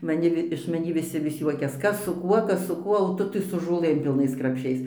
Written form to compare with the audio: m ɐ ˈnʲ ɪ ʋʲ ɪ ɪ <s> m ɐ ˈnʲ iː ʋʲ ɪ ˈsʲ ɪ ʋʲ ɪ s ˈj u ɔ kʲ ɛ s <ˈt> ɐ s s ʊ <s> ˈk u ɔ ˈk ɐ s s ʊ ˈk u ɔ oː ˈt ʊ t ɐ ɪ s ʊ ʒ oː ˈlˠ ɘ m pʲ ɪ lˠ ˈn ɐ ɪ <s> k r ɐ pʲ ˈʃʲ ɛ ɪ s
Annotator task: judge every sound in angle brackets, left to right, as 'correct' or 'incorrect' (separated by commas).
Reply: incorrect, incorrect, incorrect, correct